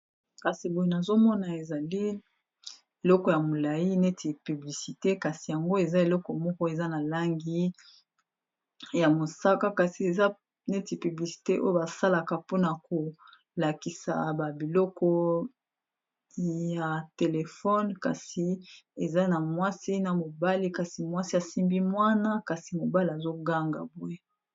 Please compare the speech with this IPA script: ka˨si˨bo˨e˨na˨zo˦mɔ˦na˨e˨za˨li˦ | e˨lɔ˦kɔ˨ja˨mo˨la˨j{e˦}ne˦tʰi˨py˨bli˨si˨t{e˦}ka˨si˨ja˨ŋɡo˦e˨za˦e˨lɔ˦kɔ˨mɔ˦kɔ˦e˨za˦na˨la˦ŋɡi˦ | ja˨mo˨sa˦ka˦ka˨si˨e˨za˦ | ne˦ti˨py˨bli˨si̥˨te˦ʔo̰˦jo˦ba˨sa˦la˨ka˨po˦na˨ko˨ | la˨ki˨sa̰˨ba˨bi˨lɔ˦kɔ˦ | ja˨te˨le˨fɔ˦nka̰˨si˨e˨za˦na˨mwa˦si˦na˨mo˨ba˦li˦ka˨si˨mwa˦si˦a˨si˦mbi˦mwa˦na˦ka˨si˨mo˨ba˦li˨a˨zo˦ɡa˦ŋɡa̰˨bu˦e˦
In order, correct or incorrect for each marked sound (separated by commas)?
incorrect, correct